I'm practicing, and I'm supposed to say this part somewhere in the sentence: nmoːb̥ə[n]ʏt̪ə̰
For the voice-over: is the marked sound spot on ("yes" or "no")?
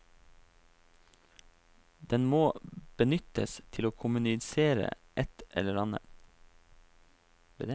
yes